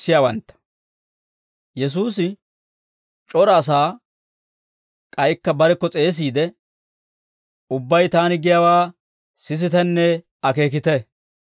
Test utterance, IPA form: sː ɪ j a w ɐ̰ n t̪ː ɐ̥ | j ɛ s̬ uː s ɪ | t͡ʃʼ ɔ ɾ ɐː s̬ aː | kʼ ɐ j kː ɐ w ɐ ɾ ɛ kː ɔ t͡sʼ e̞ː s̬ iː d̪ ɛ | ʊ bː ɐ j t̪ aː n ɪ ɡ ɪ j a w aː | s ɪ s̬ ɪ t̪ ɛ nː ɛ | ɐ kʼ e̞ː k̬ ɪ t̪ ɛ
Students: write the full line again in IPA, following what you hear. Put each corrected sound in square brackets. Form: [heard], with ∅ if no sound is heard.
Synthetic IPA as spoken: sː ɪ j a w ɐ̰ n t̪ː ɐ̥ | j ɛ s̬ uː s ɪ | t͡ʃʼ ɔ ɾ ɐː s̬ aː | kʼ ɐ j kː ɐ [b] ɐ ɾ ɛ kː ɔ t͡sʼ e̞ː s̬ iː d̪ ɛ | ʊ bː ɐ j t̪ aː n ɪ ɡ ɪ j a w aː | s ɪ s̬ ɪ t̪ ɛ nː ɛ | ɐ [k] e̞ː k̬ ɪ t̪ ɛ